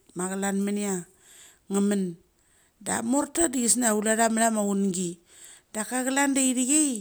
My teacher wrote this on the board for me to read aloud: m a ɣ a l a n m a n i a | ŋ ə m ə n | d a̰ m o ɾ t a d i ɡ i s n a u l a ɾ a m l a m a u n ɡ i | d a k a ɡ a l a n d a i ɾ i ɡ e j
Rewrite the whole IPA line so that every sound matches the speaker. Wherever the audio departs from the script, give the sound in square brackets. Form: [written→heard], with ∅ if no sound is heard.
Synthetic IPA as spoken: m a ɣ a l a n m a n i a | ŋ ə m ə n | d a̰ m o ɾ t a d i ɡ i s n a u l a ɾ a m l a m a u n ɡ i | d a k a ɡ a l a n d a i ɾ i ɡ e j